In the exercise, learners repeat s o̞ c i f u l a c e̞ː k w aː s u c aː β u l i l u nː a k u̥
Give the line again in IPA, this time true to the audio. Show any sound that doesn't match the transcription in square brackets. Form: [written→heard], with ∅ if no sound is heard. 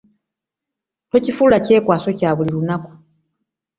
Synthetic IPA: [s→t] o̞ c i f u l a c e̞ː k w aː s [u→o] c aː β u l i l u [nː→n] a k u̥